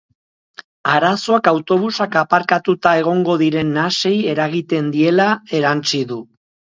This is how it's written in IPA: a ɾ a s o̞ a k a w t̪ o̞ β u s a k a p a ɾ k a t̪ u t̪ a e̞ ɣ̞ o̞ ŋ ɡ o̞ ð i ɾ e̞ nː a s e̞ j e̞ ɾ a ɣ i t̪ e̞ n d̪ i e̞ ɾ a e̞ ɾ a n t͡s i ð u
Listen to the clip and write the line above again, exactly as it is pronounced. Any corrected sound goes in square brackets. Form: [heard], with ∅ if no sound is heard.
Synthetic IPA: a ɾ a s o̞ a k a w t̪ o̞ β u s a k a p a ɾ k a t̪ u t̪ a e̞ ɣ̞ o̞ ŋ ɡ o̞ ð i ɾ e̞ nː a s e̞ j e̞ ɾ a ɣ i t̪ e̞ n d̪ i e̞ [l] a e̞ ɾ a n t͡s i ð u